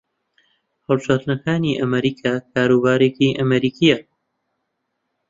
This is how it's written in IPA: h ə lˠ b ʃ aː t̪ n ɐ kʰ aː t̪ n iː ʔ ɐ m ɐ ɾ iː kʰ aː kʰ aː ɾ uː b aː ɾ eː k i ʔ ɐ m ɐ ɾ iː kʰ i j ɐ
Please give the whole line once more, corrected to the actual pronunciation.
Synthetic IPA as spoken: h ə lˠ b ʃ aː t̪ n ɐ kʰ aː n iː ʔ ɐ m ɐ ɾ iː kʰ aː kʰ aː ɾ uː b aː ɾ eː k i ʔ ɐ m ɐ ɾ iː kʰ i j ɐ